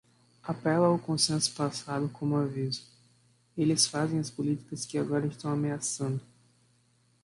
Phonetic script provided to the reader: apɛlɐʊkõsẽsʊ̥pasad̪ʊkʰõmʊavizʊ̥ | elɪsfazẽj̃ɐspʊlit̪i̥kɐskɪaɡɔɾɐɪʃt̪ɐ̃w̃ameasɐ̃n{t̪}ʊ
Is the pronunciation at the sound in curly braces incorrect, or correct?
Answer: incorrect